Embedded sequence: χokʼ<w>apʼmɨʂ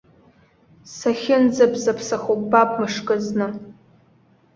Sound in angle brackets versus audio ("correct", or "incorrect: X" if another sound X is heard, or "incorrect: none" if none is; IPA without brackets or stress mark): incorrect: b